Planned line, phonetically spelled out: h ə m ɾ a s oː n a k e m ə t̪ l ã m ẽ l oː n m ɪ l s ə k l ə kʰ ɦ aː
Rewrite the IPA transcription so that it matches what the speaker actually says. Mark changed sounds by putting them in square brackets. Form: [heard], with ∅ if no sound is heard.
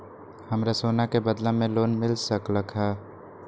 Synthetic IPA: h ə m ɾ a s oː n a k e [b] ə [d̪] l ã m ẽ l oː n m ɪ l s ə k l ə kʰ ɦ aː

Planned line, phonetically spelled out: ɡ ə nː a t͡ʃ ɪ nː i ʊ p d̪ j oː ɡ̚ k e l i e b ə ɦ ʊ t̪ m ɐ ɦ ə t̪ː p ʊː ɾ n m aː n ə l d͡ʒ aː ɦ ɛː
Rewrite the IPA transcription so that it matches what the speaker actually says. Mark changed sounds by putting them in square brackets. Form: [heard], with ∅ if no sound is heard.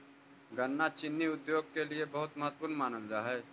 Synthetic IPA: ɡ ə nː a t͡ʃ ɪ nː i ʊ [∅] d̪ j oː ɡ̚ k e l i e b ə ɦ ʊ t̪ m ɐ ɦ ə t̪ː p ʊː ɾ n m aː n ə l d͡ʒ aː ɦ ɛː

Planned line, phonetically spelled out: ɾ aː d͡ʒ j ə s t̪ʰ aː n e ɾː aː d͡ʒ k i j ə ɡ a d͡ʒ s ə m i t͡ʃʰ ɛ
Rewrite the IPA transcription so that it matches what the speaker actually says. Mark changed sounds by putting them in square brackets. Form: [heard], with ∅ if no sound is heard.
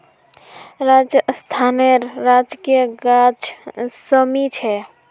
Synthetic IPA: ɾ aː d͡ʒ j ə s t̪ʰ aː n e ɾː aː d͡ʒ k i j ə ɡ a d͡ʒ s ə m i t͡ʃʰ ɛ

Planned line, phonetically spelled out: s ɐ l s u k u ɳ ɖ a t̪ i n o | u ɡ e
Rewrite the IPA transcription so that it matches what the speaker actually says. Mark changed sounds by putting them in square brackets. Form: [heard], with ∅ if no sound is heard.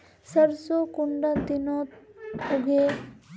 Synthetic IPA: s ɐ [ɾ] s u k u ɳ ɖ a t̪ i n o | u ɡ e

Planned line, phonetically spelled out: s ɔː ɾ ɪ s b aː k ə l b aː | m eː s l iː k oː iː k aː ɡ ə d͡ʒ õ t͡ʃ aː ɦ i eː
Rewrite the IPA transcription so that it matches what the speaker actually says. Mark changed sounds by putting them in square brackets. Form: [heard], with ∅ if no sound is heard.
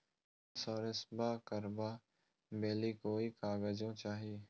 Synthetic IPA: s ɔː ɾ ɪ s b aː k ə [ɾ] b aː | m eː [∅] l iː k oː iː k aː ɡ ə d͡ʒ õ t͡ʃ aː ɦ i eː

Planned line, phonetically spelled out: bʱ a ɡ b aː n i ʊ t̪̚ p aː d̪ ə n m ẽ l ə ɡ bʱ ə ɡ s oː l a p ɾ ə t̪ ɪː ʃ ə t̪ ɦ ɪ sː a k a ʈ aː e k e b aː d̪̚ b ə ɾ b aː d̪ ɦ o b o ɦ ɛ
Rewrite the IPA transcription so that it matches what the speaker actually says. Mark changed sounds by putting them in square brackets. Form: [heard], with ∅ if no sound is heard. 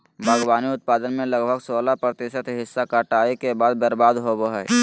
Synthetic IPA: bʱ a ɡ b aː n i ʊ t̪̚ p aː d̪ ə n m ẽ l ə ɡ bʱ ə ɡ s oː l a p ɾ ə t̪ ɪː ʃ ə t̪ ɦ ɪ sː a k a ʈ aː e k e b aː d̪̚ b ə ɾ b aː d̪ ɦ o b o ɦ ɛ

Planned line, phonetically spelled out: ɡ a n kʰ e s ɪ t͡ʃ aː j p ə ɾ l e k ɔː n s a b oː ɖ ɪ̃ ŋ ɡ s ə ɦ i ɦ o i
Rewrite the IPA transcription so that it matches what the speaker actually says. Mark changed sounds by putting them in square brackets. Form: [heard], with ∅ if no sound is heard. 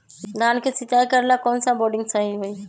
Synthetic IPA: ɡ a n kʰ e s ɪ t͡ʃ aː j [k] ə ɾ l [a] k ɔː n s a b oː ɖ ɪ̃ ŋ ɡ s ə ɦ i ɦ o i

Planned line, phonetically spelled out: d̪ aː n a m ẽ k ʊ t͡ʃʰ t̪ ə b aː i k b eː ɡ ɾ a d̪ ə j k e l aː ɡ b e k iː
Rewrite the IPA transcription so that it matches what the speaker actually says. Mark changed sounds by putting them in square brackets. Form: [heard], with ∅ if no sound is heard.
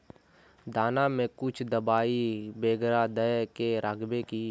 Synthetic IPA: d̪ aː n a m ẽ k ʊ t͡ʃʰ [d̪] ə b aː i [∅] b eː ɡ ɾ a d̪ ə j k e [ɾ] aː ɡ b e k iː

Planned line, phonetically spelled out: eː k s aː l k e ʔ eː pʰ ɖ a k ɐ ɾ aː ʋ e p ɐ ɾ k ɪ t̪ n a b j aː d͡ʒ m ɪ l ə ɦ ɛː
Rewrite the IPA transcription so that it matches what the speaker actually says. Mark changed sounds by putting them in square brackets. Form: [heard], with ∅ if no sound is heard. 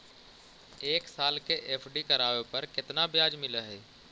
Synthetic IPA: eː k s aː l k e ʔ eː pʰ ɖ [i] k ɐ ɾ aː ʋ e p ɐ ɾ k ɪ t̪ n a b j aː d͡ʒ m ɪ l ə ɦ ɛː

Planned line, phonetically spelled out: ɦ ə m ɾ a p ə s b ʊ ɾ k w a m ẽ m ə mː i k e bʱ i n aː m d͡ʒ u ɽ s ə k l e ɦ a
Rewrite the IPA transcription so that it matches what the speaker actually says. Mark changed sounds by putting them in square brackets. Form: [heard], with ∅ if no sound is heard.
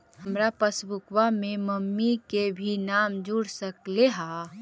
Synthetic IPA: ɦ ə m ɾ a p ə s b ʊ [∅] k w a m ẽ m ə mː i k e bʱ i n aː m d͡ʒ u ɽ s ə k l e ɦ a

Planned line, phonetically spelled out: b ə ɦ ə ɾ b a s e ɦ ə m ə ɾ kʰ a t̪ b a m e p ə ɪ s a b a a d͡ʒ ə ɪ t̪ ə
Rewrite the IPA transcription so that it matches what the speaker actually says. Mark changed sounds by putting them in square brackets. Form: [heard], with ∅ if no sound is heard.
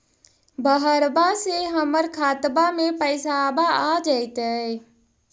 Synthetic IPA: b ə ɦ ə ɾ b a s e ɦ ə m ə ɾ kʰ a t̪ b a m e p ə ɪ s a b a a d͡ʒ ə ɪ t̪ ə

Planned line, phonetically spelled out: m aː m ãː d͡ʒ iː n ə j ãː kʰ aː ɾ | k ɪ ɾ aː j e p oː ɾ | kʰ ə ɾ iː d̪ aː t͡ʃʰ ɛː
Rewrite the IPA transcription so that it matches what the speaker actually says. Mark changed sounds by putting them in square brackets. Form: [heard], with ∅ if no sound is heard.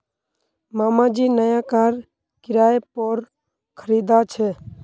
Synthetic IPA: m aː m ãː d͡ʒ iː n ə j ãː [k] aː ɾ | k ɪ ɾ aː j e p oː ɾ | kʰ ə ɾ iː d̪ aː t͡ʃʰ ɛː

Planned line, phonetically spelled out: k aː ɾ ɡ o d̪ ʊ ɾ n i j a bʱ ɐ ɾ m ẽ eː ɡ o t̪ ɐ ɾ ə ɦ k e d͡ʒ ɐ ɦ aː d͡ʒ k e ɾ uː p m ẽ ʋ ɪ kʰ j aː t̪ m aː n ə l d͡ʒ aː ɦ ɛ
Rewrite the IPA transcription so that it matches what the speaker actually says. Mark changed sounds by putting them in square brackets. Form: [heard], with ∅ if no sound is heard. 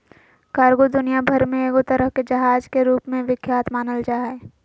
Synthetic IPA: k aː ɾ ɡ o d̪ ʊ [∅] n i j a bʱ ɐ ɾ m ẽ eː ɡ o t̪ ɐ ɾ ə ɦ k e d͡ʒ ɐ ɦ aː d͡ʒ k e ɾ uː p m ẽ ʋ ɪ kʰ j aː t̪ m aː n ə l d͡ʒ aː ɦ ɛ

